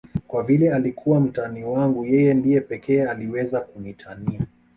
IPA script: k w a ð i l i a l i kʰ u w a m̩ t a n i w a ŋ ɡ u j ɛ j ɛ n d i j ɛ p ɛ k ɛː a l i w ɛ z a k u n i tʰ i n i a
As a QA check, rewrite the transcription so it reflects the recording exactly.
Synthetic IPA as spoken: k w a v i l ɛ a l i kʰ u w a m̩ t a n i w a ŋ ɡ u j ɛ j ɛ n d i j ɛ p ɛ k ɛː a l i w ɛ z a k u n i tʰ a n i a